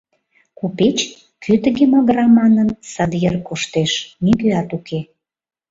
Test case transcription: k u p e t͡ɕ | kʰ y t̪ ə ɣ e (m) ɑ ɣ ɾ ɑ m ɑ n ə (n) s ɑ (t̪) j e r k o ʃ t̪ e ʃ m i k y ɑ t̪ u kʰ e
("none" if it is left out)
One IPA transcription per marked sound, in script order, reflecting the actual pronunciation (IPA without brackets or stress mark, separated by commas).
m, n, d̪